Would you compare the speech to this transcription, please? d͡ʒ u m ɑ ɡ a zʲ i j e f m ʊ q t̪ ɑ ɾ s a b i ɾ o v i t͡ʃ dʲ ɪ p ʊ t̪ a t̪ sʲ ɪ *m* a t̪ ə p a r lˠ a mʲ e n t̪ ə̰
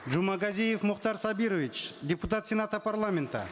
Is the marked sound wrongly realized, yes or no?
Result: yes